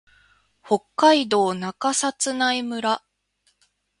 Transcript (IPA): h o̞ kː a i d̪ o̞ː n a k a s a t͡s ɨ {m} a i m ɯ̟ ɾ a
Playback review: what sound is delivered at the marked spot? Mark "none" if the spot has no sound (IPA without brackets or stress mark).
n